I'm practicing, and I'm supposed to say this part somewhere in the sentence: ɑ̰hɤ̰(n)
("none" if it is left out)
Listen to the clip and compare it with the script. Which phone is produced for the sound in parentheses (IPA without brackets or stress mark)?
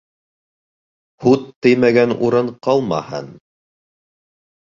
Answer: n